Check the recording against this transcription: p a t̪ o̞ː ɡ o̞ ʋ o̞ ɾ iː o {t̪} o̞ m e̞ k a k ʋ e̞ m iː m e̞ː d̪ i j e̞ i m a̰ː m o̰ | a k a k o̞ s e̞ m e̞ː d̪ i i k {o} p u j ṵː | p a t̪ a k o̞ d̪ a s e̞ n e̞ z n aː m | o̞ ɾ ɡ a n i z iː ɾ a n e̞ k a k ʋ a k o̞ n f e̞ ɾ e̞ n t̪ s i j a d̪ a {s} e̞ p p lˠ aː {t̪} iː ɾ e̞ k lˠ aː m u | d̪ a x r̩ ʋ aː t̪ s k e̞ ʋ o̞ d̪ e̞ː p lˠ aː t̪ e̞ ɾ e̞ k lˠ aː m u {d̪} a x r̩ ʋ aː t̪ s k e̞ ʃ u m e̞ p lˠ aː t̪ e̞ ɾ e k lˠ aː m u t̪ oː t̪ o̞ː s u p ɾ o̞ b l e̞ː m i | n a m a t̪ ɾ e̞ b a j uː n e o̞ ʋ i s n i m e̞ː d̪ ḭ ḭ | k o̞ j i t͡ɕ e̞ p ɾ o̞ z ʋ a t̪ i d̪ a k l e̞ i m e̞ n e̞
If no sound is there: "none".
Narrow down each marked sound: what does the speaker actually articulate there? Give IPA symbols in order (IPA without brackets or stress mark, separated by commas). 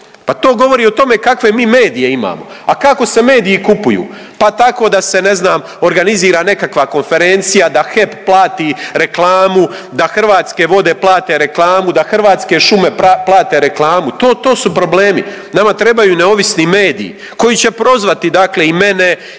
t̪, u, x, t̪, d̪